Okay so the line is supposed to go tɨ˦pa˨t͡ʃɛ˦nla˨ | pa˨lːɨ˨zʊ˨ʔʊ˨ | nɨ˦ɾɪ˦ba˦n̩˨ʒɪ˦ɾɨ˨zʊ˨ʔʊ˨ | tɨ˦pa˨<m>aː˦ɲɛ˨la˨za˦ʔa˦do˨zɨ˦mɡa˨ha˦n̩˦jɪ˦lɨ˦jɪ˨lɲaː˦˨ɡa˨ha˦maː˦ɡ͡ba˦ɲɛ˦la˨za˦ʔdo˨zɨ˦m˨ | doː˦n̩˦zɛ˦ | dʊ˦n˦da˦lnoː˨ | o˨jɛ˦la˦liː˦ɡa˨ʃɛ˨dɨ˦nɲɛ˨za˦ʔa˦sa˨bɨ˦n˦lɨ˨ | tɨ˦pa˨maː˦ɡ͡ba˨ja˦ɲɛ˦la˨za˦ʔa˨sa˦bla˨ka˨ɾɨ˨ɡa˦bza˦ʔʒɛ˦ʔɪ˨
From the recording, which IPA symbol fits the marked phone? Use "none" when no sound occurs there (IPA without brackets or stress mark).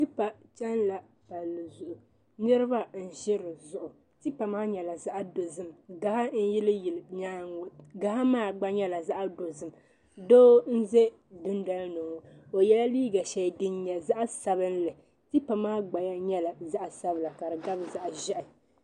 m